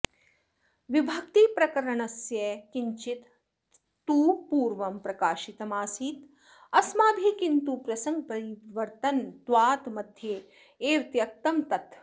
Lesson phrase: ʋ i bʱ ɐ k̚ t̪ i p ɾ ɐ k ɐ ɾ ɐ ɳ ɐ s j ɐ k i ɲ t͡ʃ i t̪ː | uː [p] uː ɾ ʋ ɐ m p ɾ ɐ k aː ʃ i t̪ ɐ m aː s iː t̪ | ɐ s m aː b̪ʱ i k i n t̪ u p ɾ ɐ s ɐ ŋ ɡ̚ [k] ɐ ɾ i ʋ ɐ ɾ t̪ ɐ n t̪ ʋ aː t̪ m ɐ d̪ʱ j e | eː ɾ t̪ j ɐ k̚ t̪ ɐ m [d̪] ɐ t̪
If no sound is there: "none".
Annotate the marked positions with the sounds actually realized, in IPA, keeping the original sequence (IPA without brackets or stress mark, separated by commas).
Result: p, p, t̪